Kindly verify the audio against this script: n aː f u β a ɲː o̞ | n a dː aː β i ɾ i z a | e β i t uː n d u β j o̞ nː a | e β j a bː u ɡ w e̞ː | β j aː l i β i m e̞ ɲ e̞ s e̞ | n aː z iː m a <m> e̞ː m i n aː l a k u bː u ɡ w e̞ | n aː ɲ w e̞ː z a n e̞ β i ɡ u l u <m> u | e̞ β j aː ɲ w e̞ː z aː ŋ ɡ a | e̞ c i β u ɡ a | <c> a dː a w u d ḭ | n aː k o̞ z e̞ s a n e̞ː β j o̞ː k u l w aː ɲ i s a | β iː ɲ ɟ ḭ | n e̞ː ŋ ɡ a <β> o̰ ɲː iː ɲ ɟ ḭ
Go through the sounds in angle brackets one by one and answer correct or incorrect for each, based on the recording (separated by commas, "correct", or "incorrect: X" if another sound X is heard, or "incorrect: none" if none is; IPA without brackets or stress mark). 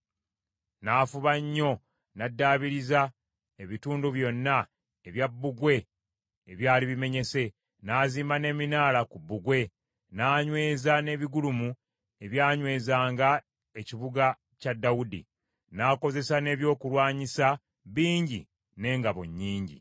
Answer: incorrect: n, correct, correct, correct